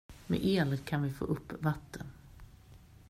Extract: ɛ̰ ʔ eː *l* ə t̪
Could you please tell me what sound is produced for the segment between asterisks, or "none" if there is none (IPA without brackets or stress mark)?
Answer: l